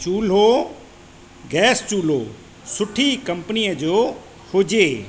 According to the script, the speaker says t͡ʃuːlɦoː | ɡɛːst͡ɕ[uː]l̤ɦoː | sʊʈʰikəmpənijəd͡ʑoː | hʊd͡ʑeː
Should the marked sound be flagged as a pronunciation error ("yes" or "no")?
no